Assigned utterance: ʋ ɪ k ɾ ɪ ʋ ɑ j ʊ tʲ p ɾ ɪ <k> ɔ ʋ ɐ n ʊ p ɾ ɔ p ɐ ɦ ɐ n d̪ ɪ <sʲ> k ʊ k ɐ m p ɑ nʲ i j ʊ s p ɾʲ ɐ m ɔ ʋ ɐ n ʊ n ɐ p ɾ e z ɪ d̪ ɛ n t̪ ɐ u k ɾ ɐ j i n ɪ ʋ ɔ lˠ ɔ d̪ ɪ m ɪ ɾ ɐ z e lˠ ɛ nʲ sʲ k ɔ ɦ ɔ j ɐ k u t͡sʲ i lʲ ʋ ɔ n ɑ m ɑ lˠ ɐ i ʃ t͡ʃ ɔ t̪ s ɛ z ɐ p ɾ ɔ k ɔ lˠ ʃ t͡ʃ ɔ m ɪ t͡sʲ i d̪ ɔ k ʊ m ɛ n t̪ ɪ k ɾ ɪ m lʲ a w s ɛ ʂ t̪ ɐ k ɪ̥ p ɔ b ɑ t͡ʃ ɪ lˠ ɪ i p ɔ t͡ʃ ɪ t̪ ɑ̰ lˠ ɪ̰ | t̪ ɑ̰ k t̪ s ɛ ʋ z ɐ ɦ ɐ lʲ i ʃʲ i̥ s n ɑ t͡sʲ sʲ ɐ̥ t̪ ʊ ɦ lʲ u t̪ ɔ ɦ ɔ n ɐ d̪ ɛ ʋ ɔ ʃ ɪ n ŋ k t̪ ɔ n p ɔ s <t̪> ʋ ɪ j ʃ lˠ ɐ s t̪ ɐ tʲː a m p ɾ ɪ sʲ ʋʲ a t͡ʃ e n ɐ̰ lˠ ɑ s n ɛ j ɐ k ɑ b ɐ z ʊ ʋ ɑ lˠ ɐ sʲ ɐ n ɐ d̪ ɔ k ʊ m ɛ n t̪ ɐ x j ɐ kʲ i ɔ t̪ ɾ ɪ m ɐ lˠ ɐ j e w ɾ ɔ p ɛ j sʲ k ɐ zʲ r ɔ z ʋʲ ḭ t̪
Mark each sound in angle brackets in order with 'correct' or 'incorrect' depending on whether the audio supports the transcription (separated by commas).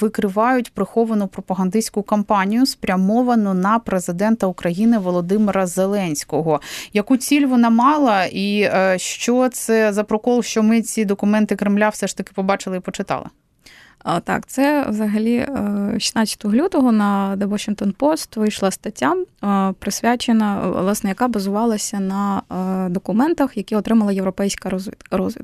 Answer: incorrect, correct, correct